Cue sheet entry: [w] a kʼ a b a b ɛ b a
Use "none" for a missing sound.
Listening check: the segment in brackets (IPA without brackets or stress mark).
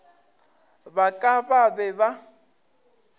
b